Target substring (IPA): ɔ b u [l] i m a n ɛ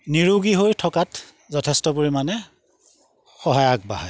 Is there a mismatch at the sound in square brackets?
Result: yes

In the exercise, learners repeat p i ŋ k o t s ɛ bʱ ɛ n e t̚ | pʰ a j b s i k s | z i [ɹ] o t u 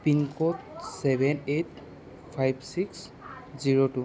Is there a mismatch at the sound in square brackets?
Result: no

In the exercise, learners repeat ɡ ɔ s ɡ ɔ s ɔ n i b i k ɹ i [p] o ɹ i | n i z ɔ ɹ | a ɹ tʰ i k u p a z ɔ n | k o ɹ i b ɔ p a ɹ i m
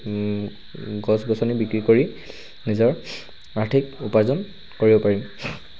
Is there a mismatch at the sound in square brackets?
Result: yes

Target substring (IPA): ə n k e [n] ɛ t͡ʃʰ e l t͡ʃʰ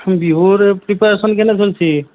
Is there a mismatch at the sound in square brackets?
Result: no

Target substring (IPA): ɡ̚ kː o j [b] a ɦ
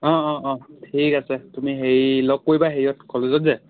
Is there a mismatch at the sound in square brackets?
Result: no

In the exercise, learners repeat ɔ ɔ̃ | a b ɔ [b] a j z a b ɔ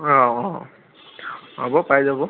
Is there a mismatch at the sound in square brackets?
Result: yes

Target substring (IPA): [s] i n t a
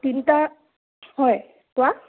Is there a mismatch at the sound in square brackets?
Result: yes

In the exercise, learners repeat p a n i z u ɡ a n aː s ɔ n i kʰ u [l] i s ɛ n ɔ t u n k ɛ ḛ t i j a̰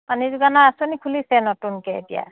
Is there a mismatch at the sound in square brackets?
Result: no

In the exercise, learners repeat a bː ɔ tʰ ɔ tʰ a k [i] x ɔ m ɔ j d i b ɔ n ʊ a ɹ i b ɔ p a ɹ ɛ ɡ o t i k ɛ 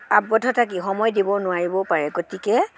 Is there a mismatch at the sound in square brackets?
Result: no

